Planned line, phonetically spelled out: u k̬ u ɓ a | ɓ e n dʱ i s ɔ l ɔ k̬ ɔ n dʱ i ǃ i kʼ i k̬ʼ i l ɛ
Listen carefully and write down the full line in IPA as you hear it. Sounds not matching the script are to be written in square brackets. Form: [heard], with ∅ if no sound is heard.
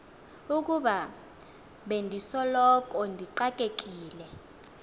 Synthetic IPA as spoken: u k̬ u ɓ a | ɓ e n dʱ i s ɔ l ɔ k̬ ɔ n dʱ i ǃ [a] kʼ [e] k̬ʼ [iː] l ɛ